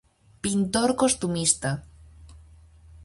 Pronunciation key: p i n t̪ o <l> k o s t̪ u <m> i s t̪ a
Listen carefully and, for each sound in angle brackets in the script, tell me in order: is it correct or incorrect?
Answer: incorrect, correct

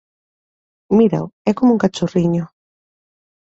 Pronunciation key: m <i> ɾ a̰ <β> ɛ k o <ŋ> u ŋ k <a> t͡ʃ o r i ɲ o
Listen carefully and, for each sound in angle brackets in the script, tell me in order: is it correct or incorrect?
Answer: correct, incorrect, incorrect, correct

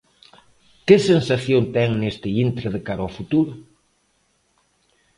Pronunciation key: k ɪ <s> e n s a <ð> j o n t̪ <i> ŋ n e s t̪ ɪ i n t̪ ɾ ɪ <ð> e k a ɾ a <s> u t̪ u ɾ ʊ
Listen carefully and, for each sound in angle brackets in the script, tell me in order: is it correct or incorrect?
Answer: correct, incorrect, incorrect, correct, incorrect

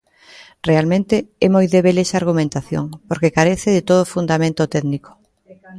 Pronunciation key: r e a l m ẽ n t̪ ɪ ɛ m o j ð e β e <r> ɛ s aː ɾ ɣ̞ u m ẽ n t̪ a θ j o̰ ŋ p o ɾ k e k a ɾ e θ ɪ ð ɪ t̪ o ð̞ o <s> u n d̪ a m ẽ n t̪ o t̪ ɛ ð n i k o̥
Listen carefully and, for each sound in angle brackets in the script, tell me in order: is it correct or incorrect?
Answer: incorrect, incorrect

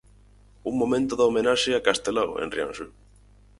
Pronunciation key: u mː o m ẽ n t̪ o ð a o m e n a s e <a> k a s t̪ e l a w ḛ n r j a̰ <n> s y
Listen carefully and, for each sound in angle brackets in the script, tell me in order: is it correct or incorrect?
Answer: correct, correct

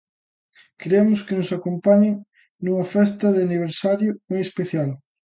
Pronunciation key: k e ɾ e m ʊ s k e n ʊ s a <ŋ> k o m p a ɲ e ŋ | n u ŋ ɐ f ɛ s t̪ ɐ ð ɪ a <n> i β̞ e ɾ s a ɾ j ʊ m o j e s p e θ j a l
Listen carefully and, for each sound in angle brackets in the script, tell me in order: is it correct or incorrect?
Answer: incorrect, correct

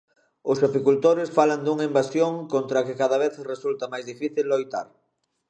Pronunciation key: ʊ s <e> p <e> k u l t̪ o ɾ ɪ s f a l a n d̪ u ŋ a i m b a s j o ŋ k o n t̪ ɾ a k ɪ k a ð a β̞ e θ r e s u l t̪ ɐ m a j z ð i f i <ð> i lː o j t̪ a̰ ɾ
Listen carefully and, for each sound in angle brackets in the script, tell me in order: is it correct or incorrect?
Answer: incorrect, incorrect, incorrect

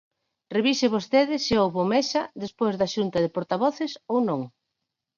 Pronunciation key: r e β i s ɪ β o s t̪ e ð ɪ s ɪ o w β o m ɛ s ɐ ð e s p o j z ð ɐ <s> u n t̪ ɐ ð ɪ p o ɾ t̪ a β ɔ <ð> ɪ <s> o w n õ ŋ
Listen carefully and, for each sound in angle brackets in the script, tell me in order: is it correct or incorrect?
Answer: incorrect, incorrect, correct

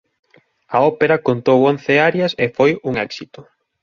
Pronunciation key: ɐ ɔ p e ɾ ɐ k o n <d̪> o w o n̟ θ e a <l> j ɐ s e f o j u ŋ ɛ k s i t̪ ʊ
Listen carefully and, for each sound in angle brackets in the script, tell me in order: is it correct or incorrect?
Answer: incorrect, incorrect

